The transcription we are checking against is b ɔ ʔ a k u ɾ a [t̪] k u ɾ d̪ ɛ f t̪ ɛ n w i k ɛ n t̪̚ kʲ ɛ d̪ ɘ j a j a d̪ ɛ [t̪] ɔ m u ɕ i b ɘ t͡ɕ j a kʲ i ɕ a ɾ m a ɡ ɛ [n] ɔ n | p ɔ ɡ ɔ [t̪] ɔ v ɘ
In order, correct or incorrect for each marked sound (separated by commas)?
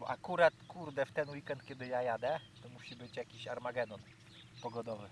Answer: correct, correct, correct, incorrect